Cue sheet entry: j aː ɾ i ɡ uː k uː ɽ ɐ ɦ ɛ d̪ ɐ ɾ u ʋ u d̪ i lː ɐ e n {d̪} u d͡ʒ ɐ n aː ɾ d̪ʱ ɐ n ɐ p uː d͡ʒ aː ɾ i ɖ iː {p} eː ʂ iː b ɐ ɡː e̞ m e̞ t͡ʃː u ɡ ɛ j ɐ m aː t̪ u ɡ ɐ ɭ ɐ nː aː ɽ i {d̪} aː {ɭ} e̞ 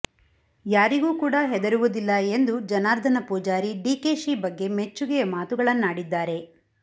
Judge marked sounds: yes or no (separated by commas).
yes, no, no, no